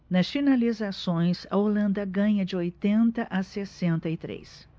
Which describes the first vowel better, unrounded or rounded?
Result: unrounded